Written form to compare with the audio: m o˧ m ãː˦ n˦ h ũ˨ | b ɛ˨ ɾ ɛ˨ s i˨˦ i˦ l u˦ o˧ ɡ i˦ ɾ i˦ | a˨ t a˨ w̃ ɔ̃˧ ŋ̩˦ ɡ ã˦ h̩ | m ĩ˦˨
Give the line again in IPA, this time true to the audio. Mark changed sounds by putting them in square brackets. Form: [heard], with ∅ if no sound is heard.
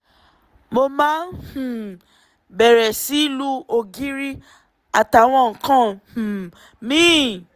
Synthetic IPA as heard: m o˧ m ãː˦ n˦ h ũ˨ | b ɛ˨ ɾ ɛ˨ s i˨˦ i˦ l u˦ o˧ ɡ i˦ ɾ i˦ | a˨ t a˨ w̃ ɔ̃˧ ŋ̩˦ [k] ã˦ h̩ | m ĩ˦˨